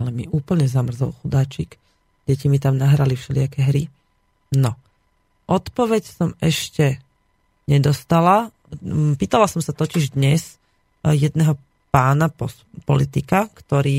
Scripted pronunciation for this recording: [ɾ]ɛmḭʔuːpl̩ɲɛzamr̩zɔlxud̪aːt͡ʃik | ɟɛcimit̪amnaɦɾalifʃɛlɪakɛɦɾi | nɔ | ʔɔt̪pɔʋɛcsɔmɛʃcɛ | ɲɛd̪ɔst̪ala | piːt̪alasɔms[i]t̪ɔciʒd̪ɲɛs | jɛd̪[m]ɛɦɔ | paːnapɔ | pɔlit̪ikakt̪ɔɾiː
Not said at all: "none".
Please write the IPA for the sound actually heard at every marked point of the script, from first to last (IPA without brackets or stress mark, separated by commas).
l, a, n